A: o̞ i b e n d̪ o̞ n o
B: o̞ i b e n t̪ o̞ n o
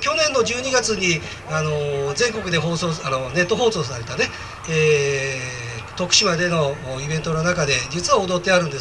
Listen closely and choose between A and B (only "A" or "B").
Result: B